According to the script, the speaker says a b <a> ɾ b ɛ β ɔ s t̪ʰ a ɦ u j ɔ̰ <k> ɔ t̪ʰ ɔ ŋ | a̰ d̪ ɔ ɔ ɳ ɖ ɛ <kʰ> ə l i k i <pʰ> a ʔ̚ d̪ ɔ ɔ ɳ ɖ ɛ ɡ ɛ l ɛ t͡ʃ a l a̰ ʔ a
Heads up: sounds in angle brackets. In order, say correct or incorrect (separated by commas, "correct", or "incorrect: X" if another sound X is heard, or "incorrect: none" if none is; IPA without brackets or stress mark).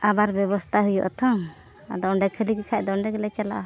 correct, incorrect: ʔ, correct, incorrect: kʰ